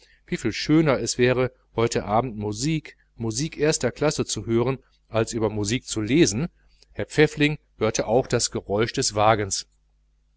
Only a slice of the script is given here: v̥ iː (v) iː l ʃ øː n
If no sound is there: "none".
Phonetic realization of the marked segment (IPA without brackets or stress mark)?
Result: f